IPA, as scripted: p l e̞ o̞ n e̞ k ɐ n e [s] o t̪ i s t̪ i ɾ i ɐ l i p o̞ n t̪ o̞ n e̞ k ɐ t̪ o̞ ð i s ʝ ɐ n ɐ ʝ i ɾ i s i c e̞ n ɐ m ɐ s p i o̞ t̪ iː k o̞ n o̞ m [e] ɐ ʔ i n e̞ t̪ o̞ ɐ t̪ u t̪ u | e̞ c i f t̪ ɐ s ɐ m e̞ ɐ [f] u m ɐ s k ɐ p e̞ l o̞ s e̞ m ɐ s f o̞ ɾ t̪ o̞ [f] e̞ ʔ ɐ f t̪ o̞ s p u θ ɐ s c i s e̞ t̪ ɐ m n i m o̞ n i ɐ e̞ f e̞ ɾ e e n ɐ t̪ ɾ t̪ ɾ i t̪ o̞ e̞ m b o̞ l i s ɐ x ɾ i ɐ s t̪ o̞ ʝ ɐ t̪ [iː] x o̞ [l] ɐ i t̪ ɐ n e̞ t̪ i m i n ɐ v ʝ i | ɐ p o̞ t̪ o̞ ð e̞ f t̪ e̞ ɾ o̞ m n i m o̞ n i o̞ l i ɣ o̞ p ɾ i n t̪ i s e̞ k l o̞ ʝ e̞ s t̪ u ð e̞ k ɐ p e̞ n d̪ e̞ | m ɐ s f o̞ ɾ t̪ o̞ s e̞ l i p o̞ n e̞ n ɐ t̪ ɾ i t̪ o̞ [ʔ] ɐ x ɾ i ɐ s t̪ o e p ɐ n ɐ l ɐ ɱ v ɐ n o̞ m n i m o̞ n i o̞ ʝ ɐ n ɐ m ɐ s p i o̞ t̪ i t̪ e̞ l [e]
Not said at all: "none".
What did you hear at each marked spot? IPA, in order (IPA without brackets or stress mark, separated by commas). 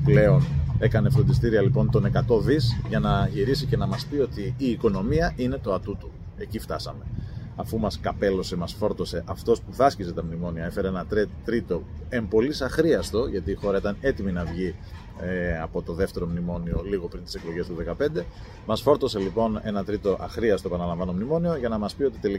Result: f, i, f, s, iː, ɾ, ʔ, i